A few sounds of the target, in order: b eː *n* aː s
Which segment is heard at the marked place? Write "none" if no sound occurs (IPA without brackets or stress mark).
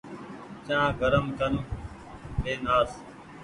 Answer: n